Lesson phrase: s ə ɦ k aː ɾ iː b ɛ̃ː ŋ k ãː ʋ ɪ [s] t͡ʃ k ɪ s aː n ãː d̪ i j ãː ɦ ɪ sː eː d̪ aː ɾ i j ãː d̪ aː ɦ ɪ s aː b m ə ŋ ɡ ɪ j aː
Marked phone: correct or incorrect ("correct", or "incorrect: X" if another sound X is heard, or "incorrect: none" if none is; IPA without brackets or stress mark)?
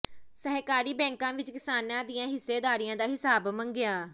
incorrect: none